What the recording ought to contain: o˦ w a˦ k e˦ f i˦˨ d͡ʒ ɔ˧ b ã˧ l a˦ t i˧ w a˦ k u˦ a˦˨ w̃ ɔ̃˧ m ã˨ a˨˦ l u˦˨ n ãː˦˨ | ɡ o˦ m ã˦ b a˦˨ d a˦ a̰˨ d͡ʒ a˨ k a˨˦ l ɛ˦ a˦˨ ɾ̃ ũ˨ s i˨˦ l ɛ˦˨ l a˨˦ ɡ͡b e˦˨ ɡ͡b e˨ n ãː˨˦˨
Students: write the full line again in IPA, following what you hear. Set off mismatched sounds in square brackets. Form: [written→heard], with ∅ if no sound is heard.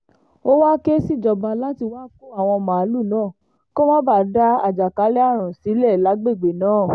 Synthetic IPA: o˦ w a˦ k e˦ [f→s] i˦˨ d͡ʒ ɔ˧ b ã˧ l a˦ t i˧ w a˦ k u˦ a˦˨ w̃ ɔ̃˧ m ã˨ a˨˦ l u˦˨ n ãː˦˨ | [ɡ→k] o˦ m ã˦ b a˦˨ d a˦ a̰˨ d͡ʒ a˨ k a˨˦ l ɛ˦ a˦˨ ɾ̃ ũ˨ s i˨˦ l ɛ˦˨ l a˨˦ ɡ͡b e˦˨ ɡ͡b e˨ n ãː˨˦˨